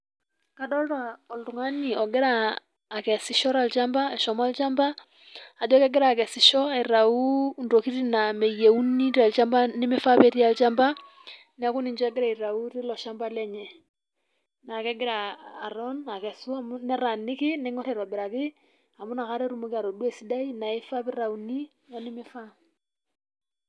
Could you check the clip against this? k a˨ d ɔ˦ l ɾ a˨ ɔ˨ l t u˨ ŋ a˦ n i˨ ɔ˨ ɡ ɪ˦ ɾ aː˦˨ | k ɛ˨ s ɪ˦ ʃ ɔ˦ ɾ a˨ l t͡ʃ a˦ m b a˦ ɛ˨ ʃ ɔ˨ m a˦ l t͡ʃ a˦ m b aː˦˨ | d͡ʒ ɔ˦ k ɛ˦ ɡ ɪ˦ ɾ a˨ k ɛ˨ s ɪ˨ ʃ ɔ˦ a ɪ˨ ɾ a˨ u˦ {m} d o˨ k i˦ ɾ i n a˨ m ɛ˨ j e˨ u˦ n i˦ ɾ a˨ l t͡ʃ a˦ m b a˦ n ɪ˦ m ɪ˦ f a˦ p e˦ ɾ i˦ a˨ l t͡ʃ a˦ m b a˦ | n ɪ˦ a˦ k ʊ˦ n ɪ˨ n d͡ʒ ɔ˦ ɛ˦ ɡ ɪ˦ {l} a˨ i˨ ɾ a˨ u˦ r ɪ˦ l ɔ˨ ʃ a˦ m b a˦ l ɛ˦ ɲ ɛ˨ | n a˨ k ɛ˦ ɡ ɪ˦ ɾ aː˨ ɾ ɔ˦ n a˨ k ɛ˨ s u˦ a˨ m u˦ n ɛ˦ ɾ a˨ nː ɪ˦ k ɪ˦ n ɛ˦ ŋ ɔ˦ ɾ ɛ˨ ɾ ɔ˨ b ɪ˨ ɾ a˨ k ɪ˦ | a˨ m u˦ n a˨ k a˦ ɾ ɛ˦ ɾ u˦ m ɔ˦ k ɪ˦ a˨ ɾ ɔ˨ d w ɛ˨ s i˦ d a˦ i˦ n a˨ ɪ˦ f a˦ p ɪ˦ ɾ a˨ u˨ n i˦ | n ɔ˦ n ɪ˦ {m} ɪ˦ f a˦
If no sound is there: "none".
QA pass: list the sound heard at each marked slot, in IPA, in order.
n, ɾ, m

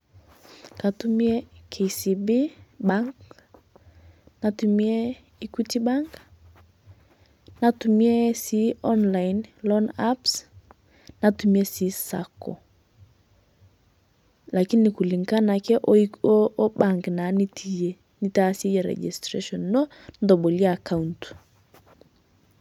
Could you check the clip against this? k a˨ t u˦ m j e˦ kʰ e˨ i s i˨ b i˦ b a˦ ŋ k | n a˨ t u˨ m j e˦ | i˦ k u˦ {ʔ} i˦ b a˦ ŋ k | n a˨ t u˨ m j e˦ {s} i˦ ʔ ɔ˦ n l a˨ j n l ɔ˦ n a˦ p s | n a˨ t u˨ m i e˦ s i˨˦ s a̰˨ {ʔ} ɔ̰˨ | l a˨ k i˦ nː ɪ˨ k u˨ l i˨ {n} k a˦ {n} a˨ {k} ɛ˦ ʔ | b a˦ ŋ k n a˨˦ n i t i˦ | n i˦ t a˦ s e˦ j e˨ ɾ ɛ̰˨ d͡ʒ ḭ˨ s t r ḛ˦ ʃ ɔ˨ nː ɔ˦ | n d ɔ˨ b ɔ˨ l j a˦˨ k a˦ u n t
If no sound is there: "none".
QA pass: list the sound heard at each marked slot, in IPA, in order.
t, s, k, ŋ, n, k

